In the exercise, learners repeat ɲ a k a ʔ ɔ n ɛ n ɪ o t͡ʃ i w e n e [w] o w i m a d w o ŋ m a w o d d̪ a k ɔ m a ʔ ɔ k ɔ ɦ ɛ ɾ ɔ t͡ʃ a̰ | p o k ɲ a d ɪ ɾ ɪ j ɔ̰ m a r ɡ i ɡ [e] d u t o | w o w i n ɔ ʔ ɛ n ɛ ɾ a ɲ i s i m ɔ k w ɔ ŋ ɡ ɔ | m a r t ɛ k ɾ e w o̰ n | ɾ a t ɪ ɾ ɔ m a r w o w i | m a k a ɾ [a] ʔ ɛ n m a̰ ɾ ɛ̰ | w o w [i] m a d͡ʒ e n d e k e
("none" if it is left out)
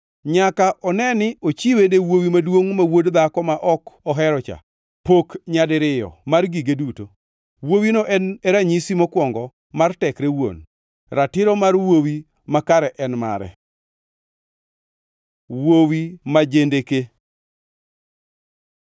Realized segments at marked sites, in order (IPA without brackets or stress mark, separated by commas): w, e, ɛ, i